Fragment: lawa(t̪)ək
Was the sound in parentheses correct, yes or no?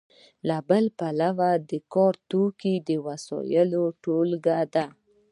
no